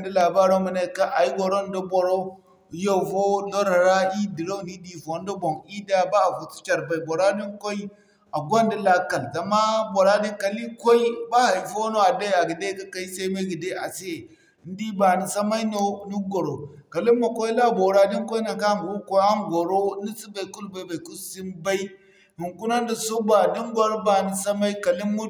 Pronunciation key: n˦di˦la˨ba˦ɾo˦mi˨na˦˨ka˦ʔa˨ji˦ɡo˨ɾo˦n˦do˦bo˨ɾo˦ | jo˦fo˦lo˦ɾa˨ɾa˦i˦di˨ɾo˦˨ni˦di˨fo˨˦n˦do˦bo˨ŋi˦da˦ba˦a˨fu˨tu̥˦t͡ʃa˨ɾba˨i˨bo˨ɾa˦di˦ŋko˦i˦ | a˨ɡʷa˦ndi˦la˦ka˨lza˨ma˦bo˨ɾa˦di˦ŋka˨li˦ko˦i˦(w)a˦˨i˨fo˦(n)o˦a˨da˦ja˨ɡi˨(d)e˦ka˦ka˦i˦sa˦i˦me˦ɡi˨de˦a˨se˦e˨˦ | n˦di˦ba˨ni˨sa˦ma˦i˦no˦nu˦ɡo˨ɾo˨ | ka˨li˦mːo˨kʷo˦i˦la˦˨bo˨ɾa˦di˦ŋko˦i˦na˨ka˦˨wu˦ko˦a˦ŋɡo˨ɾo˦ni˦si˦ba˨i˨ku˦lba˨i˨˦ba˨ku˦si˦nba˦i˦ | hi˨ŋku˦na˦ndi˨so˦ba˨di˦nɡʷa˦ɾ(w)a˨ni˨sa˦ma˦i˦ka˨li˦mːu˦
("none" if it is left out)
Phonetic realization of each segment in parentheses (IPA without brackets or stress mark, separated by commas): b, n, d, b